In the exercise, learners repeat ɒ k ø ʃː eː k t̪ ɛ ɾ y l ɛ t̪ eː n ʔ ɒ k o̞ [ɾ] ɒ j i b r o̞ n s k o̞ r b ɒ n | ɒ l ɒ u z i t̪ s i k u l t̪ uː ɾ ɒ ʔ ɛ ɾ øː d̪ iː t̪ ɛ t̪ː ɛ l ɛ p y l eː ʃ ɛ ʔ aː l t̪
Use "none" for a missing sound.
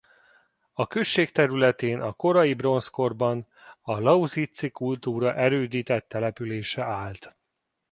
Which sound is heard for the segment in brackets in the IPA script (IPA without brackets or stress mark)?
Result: ɾ